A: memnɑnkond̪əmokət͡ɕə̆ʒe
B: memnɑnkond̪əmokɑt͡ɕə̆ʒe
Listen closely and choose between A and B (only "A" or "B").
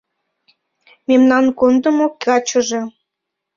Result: B